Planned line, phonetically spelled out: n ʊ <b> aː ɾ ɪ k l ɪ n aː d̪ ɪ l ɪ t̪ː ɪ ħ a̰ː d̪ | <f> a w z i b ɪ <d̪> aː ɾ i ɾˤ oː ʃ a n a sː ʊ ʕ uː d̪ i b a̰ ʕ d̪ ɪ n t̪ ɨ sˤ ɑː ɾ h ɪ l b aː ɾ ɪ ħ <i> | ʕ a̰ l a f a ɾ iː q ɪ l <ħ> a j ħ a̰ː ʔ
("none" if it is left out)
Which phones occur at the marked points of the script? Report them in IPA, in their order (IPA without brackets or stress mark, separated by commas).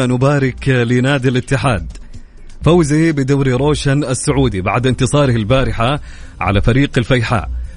b, f, d̪, a, f